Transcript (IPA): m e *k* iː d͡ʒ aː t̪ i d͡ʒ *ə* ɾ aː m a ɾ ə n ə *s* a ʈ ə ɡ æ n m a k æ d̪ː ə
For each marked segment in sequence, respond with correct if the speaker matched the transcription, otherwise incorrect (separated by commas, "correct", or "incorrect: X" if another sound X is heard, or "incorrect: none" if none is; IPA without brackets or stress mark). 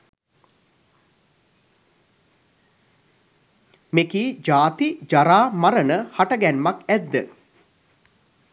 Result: correct, incorrect: a, incorrect: h